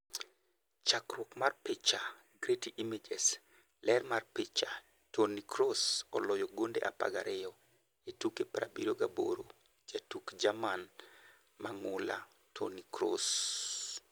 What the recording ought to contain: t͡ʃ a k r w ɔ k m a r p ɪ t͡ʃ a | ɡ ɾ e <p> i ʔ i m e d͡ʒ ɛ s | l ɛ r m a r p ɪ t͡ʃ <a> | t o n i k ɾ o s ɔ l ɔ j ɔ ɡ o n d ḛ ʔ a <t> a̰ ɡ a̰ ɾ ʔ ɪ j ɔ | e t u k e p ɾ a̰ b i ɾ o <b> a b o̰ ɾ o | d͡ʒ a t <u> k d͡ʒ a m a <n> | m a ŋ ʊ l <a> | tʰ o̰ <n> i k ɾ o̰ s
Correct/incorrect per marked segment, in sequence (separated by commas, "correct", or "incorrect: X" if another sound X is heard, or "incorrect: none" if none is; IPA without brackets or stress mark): incorrect: t, correct, incorrect: p, incorrect: ɡ, correct, correct, correct, correct